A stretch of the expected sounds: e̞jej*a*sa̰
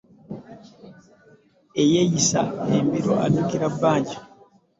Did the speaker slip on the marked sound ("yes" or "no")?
yes